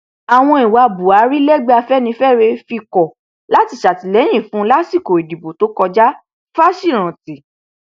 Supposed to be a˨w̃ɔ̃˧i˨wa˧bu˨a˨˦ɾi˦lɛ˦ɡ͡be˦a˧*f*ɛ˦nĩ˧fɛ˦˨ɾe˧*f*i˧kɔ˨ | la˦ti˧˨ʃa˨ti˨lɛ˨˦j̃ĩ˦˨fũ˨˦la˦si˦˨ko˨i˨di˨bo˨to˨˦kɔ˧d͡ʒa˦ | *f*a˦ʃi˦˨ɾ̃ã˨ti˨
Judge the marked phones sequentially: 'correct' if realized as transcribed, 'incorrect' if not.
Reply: correct, correct, correct

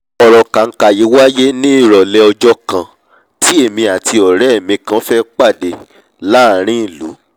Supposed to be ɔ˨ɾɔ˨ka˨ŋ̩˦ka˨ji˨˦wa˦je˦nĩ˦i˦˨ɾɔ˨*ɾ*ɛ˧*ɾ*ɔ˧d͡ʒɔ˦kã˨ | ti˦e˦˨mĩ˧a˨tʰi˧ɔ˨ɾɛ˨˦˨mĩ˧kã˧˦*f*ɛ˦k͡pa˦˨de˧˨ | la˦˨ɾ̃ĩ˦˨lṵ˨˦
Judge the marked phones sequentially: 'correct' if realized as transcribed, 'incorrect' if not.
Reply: incorrect: l, incorrect: none, correct

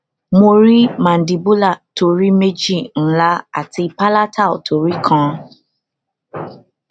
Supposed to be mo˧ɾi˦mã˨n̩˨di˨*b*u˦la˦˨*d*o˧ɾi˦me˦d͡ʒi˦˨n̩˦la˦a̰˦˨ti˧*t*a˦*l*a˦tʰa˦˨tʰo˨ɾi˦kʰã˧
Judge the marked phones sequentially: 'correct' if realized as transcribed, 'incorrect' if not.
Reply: correct, incorrect: t, incorrect: p, correct

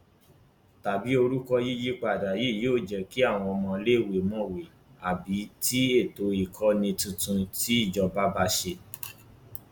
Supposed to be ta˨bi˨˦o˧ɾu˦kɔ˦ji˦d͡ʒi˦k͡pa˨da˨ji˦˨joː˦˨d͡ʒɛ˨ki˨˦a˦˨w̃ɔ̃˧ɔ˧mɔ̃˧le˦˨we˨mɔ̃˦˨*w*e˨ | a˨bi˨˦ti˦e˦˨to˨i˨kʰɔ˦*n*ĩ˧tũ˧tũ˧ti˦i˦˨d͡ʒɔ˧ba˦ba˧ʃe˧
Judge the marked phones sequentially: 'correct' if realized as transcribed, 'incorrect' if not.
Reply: correct, correct

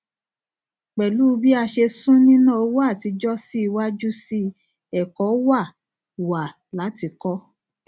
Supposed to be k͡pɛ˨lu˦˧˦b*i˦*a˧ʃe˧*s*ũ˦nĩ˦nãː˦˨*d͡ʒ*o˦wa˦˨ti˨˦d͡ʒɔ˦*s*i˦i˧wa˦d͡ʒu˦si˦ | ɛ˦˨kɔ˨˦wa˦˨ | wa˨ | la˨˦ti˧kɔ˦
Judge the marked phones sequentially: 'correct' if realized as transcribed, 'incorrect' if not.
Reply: correct, correct, incorrect: none, correct

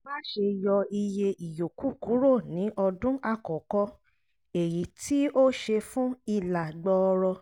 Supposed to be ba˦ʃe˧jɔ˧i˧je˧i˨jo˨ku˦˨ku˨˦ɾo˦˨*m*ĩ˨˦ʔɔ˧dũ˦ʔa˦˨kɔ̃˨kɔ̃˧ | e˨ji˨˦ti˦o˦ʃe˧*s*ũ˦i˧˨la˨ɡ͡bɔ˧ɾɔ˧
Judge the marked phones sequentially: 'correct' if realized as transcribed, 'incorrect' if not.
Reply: incorrect: n, incorrect: f

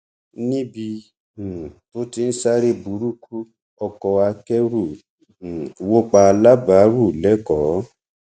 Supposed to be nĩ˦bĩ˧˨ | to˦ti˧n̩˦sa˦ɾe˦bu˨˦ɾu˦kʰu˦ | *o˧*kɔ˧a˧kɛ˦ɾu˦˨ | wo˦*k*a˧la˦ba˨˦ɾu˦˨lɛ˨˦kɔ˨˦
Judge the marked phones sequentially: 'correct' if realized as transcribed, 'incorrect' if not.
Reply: incorrect: ɔ˧, incorrect: k͡p

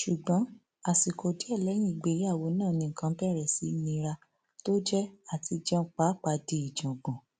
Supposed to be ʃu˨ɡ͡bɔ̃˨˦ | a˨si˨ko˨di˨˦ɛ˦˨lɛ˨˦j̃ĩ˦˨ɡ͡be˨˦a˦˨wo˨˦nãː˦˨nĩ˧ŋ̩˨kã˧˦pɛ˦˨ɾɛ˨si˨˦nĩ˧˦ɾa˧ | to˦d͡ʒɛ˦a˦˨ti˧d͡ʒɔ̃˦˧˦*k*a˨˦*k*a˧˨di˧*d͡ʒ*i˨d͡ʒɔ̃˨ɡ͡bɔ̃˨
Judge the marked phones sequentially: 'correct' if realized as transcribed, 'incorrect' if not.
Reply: incorrect: k͡p, incorrect: k͡p, incorrect: none

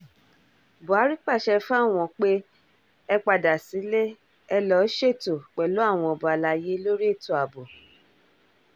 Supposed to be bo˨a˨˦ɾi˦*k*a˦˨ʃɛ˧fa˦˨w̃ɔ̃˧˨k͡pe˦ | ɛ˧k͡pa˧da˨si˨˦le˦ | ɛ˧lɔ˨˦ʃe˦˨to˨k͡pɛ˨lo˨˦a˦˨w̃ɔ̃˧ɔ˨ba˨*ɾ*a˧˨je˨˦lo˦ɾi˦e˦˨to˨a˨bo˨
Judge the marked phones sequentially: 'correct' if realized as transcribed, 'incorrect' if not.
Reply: incorrect: k͡p, incorrect: l

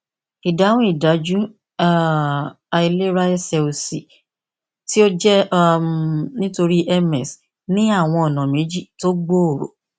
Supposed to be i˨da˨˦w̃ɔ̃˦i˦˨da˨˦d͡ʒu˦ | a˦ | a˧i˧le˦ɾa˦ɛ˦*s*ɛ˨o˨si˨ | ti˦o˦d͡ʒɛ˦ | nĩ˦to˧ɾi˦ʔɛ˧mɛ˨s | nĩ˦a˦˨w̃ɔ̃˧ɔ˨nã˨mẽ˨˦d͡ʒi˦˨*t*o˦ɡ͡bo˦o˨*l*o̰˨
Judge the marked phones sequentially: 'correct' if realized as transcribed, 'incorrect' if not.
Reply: correct, correct, incorrect: ɾ

